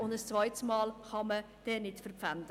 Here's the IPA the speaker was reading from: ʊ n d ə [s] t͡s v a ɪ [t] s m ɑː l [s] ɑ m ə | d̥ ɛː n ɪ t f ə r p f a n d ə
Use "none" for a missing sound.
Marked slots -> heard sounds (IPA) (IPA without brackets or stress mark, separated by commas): s, t, χ